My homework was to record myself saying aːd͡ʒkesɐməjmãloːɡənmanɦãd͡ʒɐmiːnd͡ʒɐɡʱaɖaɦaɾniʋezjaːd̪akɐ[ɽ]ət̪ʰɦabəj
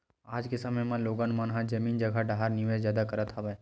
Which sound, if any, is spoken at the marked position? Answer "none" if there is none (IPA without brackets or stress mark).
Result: ɾ